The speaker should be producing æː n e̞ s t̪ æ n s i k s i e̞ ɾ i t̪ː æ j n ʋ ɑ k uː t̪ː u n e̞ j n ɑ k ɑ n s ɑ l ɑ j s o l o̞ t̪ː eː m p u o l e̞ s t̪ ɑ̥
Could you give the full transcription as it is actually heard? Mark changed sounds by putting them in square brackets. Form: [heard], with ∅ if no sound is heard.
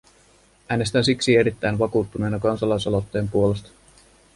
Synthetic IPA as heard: æː n e̞ s t̪ æ n s i k s i e̞ ɾ i t̪ː æ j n ʋ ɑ k uː t̪ː u n e̞ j n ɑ k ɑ n s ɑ l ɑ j s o l o̞ t̪ː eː m p u o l e̞ s t̪ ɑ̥

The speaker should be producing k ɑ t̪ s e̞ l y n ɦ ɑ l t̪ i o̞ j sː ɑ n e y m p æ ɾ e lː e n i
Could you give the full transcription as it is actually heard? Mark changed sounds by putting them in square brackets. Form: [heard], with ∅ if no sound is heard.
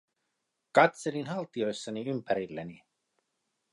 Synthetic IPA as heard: k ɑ t̪ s e̞ l [i] n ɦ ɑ l t̪ i o̞ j sː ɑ n [i] y m p æ ɾ [i] lː e n i

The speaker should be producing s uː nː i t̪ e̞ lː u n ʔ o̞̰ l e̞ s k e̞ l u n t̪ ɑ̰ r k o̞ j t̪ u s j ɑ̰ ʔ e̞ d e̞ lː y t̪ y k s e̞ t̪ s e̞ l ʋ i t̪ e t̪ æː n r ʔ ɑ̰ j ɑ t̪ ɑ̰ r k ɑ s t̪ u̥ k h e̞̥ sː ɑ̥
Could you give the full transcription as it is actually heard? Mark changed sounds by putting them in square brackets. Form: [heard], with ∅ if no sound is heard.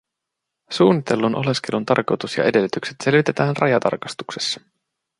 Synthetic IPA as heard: s uː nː i t̪ e̞ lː u n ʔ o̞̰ l e̞ s k e̞ l u n t̪ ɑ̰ r k o̞ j t̪ u s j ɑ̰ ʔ e̞ d e̞ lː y t̪ y k s e̞ t̪ s e̞ l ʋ i t̪ e t̪ æː n r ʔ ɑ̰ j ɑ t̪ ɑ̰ r k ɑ s t̪ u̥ k [s] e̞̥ sː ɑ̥

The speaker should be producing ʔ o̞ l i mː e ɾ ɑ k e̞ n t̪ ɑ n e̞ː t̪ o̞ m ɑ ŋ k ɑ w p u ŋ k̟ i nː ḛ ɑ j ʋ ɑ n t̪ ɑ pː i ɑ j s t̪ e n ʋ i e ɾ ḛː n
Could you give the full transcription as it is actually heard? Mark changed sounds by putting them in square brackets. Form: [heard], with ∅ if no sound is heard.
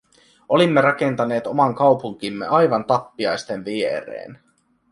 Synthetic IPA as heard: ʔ o̞ l i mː e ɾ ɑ k e̞ n t̪ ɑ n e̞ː t̪ o̞ m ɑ ŋ k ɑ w p u ŋ k̟ i [mː] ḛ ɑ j ʋ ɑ n t̪ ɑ pː i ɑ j s t̪ e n ʋ i e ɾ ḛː n

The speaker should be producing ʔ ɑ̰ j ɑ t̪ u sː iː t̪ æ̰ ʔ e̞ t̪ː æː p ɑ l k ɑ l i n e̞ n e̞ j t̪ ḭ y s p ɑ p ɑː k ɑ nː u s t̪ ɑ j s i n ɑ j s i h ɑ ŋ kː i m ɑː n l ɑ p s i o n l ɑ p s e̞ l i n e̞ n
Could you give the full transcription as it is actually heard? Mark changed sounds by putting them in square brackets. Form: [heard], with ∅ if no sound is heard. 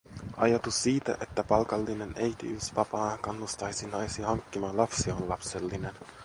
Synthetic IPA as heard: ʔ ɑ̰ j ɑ t̪ u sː iː t̪ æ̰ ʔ e̞ t̪ː [æ] p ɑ l k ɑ [lː] i n e̞ n e̞ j t̪ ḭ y s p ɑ p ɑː k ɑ nː u s t̪ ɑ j s i n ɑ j s i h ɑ ŋ kː i m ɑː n l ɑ p s i o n l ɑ p s e̞ [lː] i n e̞ n

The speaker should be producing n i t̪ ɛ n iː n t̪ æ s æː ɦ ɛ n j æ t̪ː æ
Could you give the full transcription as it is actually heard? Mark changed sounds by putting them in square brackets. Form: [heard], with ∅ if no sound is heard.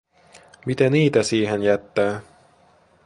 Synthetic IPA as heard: [m] i t̪ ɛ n iː [∅] t̪ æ s [iː] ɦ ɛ n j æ t̪ː [æː]

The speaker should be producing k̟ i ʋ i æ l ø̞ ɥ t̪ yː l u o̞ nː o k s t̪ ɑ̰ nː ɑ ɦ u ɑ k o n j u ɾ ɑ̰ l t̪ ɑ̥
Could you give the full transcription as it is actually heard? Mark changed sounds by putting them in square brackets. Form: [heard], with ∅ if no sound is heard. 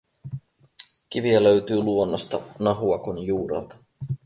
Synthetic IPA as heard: k̟ i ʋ i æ l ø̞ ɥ t̪ yː l u o̞ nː o [∅] s t̪ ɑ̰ [n] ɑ ɦ u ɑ k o n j [uː] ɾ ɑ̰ l t̪ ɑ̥

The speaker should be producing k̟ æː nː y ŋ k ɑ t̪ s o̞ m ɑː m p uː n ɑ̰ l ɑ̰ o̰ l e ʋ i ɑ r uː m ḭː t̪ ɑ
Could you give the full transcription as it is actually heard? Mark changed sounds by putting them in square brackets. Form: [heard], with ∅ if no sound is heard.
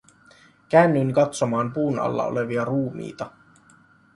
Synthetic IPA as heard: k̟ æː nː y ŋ k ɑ t̪ s o̞ m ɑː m p uː n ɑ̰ [lː] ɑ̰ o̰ l e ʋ i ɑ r uː m ḭː t̪ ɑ

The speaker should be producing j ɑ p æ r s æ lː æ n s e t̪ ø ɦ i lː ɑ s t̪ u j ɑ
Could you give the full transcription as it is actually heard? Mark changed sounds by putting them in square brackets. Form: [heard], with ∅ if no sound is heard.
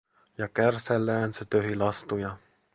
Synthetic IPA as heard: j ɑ [k] æ r s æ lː [æː] n s e t̪ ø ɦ i [l] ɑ s t̪ u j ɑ

